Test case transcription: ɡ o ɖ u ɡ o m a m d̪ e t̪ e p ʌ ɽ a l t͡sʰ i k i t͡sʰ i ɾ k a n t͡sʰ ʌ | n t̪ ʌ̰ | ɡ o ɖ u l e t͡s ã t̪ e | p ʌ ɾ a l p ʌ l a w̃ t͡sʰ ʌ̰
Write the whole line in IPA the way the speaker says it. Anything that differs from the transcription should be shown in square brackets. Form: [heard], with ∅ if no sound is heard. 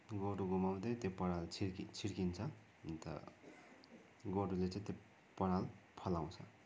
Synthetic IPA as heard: ɡ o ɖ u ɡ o m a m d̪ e t̪ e p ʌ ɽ a l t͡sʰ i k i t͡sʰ i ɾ k [i] n t͡sʰ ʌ | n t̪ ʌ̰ | ɡ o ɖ u l e t͡s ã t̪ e | p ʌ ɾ a l [pʰ] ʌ l a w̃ t͡sʰ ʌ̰